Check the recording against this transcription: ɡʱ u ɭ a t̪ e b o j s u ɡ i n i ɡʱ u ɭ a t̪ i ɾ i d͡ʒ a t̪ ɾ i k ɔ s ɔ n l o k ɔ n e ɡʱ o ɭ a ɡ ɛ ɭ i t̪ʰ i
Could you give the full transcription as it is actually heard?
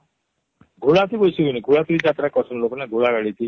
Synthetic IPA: ɡʱ u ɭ a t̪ i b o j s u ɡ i n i ɡʱ u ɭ a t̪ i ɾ i d͡ʒ a t̪ ɾ a k ɔ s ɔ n l o k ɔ n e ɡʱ u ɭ a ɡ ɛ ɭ i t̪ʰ i